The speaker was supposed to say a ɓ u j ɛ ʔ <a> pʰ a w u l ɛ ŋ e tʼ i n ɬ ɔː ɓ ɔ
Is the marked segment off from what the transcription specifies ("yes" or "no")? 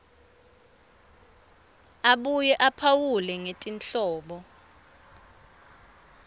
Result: no